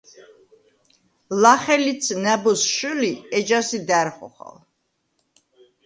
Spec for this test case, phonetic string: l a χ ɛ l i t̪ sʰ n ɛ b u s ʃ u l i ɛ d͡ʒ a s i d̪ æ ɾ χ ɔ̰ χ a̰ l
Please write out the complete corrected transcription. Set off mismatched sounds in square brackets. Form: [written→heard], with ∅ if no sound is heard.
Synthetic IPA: l a χ ɛ l i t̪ sʰ n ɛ b [u→ɔ] s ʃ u l i ɛ d͡ʒ a s i d̪ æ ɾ χ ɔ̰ χ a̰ l